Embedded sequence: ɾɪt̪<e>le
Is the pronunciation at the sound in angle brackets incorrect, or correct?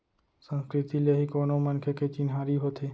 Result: incorrect